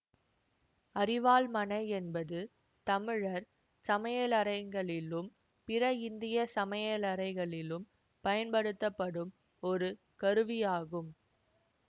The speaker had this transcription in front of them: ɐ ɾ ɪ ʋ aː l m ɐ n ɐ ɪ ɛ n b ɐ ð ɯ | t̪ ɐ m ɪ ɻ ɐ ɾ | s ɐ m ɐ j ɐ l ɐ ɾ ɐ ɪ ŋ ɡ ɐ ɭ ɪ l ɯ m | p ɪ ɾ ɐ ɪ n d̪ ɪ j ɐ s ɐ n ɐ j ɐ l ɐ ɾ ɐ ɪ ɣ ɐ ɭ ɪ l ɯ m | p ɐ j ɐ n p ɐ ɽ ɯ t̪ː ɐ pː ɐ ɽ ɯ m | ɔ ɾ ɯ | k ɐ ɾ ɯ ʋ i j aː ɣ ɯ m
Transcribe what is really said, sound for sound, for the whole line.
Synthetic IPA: ɐ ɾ ɪ ʋ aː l m ɐ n ɐ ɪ ɛ n b ɐ ð ɯ | t̪ ɐ m ɪ ɻ ɐ ɾ | s ɐ m ɐ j ɐ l ɐ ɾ ɐ ɪ ŋ ɡ ɐ ɭ ɪ l ɯ m | p ɪ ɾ ɐ ɪ n d̪ ɪ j ɐ s ɐ m ɐ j ɐ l ɐ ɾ ɐ ɪ ɣ ɐ ɭ ɪ l ɯ m | p ɐ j ɐ n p ɐ ɽ ɯ t̪ː ɐ pː ɐ ɽ ɯ m | ɔ ɾ ɯ | k ɐ ɾ ɯ ʋ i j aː ɣ ɯ m